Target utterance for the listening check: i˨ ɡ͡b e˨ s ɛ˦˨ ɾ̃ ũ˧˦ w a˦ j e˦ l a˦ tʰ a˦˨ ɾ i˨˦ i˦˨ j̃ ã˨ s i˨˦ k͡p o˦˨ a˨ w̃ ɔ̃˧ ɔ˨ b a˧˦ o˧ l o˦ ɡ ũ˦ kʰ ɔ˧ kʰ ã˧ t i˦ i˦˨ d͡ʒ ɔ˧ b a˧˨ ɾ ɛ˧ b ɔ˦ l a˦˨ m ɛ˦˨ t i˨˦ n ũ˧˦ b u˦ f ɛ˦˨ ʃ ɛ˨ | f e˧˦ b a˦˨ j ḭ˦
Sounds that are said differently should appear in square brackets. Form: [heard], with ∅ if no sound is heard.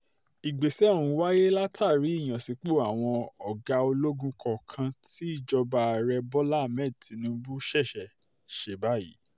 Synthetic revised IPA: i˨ ɡ͡b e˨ s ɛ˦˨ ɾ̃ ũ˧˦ w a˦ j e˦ l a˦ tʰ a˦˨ ɾ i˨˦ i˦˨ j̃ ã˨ s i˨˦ k͡p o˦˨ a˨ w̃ ɔ̃˧ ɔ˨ [ɡ] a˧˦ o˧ l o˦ ɡ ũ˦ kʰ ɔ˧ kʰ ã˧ t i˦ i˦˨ d͡ʒ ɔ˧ b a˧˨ ɾ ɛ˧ b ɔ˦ l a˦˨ m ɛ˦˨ t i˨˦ n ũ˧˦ b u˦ [ʃ] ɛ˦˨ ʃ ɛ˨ | [ʃ] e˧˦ b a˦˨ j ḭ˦

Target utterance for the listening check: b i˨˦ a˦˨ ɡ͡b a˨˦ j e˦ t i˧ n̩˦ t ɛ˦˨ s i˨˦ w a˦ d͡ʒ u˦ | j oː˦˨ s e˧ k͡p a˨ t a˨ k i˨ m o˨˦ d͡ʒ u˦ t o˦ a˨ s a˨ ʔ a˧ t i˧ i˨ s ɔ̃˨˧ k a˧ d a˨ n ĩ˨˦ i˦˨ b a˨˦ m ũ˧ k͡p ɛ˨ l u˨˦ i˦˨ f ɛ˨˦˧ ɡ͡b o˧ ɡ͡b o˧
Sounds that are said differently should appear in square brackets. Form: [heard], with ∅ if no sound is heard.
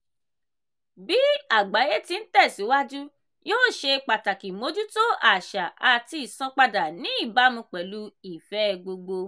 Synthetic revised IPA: b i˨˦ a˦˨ ɡ͡b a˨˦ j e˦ t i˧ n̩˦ t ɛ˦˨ s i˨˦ w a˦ d͡ʒ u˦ | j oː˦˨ [ʃ] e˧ k͡p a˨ t a˨ k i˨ m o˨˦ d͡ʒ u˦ t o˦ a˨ [ʃ] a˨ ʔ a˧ t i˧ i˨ s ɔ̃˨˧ [k͡p] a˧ d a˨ n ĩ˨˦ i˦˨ b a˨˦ m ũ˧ k͡p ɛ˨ l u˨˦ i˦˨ f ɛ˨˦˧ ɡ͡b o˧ ɡ͡b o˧

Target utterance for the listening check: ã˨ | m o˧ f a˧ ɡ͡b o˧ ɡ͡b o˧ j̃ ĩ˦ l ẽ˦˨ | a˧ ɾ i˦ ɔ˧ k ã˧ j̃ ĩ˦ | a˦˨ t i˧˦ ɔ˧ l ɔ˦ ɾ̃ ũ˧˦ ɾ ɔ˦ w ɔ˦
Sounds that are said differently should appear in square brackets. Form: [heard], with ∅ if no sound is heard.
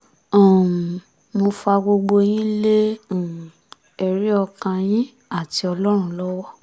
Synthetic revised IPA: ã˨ | m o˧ f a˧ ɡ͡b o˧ ɡ͡b o˧ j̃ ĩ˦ l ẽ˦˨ | [ɛ˧] ɾ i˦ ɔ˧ k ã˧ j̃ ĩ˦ | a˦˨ t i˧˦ ɔ˧ l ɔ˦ ɾ̃ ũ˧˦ [l] ɔ˦ w ɔ˦

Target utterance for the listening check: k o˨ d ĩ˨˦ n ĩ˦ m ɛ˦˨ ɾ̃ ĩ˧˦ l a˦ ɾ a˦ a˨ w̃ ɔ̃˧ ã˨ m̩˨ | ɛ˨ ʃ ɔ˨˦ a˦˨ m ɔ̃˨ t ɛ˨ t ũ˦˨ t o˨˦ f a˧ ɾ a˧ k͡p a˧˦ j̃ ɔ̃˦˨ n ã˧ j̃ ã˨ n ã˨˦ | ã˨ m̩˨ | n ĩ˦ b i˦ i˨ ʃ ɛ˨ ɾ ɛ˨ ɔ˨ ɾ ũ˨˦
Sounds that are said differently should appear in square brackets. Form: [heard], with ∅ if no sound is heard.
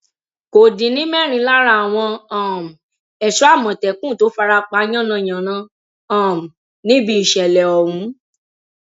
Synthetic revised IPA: k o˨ d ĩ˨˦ n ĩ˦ m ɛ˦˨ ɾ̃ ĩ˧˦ l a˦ ɾ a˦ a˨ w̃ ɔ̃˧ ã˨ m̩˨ | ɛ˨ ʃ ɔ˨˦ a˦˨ m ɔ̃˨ t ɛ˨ [k] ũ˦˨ t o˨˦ f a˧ ɾ a˧ k͡p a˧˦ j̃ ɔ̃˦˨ n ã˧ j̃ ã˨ n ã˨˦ | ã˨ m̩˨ | n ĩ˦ b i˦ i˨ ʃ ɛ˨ [l] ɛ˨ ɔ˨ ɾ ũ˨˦

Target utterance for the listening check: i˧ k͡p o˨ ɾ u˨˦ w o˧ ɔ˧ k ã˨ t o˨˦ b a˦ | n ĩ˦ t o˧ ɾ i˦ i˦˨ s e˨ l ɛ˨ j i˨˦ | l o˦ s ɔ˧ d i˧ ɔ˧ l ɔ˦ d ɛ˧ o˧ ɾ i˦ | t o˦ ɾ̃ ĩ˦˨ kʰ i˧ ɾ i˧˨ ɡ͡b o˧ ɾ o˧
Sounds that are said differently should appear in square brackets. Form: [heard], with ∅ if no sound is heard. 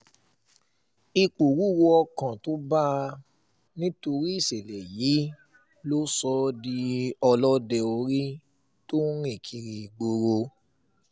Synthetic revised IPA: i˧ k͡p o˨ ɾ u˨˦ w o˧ ɔ˧ k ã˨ t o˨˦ b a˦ | n ĩ˦ t o˧ ɾ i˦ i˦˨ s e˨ l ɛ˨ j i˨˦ | l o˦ s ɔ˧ d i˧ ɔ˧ l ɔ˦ d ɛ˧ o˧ ɾ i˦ | t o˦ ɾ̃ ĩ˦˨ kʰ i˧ ɾ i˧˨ ɡ͡b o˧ ɾ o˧

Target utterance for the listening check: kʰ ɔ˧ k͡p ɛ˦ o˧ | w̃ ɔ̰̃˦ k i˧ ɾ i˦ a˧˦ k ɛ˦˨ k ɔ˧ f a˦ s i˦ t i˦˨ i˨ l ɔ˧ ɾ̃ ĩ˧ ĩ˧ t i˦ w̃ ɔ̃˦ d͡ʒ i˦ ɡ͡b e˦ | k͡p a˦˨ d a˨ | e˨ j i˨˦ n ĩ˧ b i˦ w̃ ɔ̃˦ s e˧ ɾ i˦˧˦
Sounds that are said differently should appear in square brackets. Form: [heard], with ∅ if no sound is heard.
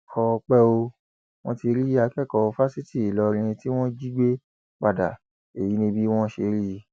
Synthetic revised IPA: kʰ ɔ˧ k͡p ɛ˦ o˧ | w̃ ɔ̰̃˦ [t] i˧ ɾ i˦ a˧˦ k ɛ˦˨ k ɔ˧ f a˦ s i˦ t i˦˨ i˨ l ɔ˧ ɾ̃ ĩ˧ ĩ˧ t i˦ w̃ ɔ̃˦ d͡ʒ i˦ ɡ͡b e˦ | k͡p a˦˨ d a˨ | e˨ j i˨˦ n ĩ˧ b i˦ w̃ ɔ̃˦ [ʃ] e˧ ɾ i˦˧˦

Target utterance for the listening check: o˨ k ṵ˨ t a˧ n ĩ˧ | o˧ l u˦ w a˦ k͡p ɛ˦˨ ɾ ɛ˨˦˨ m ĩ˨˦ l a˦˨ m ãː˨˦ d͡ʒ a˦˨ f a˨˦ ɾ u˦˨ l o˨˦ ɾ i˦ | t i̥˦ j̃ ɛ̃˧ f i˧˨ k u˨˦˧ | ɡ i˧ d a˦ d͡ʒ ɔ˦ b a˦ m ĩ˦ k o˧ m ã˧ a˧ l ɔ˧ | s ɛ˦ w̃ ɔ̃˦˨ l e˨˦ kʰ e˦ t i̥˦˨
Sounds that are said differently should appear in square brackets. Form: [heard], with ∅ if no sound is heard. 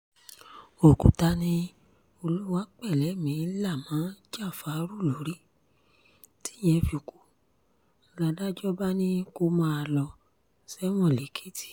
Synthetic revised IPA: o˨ k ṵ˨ t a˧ n ĩ˧ | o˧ l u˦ w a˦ k͡p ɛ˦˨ [l] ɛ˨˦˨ m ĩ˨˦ l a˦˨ m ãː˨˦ d͡ʒ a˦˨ f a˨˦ ɾ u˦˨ l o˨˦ ɾ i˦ | t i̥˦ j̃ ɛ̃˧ f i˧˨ k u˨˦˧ | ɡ [a˧] d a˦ d͡ʒ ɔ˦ b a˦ [n] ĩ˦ k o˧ m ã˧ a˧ l ɔ˧ | s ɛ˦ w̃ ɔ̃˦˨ l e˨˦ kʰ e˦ t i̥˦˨

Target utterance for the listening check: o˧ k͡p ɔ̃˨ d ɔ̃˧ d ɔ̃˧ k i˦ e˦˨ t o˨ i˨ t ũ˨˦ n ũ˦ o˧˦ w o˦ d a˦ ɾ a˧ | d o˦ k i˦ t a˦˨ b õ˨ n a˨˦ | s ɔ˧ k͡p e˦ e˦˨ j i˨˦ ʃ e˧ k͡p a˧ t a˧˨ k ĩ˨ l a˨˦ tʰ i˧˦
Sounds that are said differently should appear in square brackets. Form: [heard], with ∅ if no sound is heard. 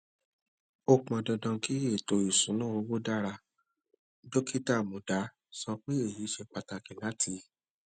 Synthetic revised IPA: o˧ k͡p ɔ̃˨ d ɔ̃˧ d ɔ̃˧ k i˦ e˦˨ t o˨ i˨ [s] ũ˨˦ n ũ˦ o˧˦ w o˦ d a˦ ɾ a˧ | d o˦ k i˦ t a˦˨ [m] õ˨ [d] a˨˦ | s ɔ˧ k͡p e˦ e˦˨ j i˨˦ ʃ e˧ k͡p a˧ t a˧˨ k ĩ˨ l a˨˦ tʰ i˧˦

